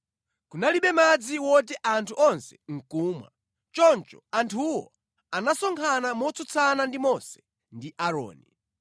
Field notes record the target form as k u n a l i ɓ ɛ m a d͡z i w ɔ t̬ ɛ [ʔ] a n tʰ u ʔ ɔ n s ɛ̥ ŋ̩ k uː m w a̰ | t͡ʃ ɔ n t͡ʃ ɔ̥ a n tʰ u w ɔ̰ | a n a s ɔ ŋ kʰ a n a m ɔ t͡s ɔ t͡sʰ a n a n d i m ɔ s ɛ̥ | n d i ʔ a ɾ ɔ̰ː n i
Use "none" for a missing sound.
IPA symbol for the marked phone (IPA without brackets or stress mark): ʔ